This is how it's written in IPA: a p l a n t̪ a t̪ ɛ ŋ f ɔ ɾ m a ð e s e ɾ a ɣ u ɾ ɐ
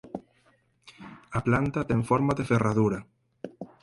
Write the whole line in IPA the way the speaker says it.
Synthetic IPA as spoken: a p l a n t̪ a t̪ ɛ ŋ f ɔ ɾ m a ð e f e r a ð u ɾ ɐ